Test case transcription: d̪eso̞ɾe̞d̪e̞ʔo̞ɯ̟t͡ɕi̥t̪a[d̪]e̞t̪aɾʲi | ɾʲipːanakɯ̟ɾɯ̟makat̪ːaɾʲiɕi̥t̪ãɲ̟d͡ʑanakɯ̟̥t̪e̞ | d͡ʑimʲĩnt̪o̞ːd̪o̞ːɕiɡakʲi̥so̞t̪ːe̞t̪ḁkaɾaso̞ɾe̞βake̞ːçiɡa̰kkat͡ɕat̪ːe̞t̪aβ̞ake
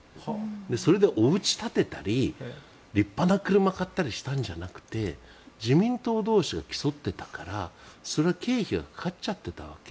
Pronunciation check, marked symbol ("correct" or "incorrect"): incorrect